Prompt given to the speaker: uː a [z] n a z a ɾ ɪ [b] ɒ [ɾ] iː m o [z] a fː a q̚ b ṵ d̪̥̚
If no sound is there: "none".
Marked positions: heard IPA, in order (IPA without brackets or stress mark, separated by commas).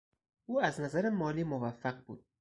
z, m, l, v